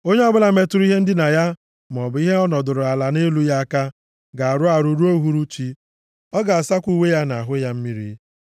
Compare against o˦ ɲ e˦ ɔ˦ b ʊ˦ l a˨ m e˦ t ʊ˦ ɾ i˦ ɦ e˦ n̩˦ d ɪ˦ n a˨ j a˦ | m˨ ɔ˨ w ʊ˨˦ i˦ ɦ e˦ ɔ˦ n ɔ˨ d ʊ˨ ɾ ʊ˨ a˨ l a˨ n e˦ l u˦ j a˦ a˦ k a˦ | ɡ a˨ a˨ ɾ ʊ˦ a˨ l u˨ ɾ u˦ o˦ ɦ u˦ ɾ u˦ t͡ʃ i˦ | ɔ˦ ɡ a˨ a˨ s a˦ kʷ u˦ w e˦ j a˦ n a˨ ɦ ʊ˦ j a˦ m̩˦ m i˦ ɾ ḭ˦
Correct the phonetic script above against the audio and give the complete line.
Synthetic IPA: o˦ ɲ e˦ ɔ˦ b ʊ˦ l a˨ m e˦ t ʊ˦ ɾ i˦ ɦ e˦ n̩˦ d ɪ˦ n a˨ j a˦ | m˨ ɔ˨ b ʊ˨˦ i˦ ɦ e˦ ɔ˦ n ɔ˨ d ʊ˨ ɾ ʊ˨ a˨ l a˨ n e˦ l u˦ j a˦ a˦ k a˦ | ɡ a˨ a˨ ɾ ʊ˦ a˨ ɾ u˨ ɾ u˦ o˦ ɦ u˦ ɾ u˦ t͡ʃ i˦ | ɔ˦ ɡ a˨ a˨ s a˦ kʷ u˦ w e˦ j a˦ n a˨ ɦ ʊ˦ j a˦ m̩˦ m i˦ ɾ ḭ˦